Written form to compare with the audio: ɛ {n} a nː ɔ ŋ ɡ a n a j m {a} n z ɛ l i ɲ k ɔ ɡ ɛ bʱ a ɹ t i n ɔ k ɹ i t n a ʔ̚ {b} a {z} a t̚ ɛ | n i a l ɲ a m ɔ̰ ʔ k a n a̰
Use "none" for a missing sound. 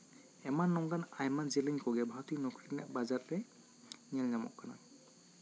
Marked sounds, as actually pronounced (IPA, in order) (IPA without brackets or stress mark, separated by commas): m, a, b, z